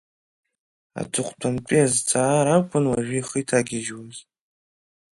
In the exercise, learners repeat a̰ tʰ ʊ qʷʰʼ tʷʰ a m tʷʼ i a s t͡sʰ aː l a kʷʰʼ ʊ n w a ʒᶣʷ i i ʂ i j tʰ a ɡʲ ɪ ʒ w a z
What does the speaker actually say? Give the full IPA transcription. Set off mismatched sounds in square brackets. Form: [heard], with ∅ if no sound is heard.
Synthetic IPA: a̰ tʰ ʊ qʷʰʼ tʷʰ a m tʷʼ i a [z] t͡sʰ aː [ɾ] a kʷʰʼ ʊ n w a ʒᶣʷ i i [χ] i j tʰ a ɡʲ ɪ ʒ w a z